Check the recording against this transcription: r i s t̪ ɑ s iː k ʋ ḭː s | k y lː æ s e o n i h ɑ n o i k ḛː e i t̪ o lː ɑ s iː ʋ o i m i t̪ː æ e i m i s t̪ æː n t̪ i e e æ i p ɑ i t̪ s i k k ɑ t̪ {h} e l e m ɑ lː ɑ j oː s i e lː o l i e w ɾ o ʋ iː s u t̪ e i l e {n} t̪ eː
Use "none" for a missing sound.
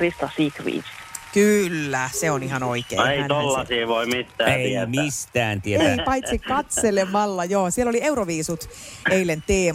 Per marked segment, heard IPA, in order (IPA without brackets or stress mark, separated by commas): s, n